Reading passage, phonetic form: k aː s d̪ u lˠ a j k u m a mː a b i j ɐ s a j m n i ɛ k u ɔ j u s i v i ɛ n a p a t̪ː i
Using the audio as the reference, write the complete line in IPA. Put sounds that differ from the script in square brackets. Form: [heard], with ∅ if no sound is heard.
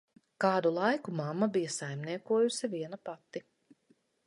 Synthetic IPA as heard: k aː [∅] d̪ u lˠ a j k u m a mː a b i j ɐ s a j m n i ɛ k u ɔ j u s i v i ɛ n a p a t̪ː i